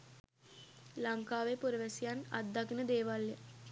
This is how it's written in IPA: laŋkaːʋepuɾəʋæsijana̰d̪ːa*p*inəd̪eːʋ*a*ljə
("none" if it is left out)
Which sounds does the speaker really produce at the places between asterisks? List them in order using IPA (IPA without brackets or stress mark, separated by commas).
k, a